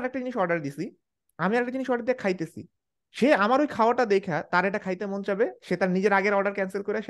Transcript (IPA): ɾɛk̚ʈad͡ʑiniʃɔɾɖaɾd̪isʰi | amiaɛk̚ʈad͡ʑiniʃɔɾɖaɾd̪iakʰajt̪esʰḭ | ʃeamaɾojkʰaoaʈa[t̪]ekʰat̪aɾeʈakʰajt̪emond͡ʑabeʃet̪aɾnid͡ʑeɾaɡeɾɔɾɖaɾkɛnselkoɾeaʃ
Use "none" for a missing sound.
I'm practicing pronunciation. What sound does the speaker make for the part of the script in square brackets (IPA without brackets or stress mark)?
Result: d̪